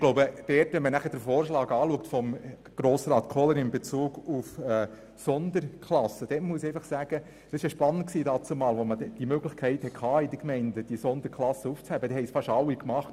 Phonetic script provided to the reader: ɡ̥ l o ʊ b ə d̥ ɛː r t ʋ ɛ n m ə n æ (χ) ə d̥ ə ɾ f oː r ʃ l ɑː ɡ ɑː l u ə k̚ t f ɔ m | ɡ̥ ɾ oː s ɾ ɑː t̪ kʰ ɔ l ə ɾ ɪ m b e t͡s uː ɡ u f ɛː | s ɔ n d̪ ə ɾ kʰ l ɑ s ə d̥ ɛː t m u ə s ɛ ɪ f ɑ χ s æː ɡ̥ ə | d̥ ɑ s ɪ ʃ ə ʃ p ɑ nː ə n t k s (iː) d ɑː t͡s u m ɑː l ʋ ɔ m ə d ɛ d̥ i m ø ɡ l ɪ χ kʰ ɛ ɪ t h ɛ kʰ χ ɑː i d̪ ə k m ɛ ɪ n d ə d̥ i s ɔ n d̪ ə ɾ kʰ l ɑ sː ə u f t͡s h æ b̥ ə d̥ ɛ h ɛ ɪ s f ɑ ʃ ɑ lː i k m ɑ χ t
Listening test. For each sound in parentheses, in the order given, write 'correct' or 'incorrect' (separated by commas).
correct, correct